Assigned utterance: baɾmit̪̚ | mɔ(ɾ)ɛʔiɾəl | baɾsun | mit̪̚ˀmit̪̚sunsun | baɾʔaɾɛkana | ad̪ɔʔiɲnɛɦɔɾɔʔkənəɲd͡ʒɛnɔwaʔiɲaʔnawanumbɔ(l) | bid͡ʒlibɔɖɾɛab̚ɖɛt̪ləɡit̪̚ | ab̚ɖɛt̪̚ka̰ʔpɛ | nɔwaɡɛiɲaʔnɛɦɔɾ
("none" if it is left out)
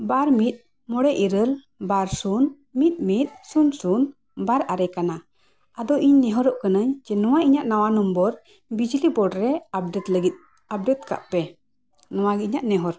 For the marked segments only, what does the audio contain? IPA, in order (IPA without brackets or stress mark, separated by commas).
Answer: ɽ, ɾ